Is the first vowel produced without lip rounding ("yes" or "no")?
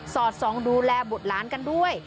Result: no